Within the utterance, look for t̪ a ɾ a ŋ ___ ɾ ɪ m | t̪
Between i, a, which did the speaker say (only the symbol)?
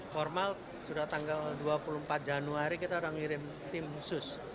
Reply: i